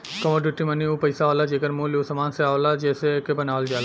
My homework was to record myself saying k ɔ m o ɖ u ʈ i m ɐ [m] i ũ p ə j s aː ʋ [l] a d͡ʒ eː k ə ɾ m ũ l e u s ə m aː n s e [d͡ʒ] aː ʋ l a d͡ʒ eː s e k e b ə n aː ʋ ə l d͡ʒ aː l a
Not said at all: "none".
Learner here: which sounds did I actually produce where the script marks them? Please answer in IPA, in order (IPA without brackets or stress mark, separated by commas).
n, l, none